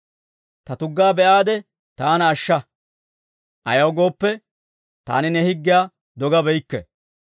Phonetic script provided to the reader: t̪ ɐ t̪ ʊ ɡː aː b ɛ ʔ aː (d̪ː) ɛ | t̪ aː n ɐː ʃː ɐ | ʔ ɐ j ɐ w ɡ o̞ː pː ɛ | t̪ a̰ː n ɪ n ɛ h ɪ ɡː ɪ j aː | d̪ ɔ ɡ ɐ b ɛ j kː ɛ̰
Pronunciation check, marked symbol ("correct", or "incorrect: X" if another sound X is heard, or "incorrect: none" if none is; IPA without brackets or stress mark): incorrect: d̪